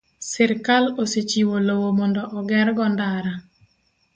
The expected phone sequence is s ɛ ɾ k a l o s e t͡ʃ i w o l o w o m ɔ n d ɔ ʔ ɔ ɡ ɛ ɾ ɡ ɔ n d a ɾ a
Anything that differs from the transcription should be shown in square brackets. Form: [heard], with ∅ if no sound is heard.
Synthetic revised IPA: s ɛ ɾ k a l o s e t͡ʃ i w o l o w o m ɔ n d ɔ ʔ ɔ ɡ ɛ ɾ ɡ ɔ n d a ɾ a